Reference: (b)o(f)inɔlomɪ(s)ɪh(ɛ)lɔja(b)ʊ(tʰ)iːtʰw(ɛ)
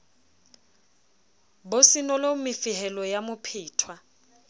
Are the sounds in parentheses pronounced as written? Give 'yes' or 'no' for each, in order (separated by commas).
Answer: yes, no, no, yes, no, no, no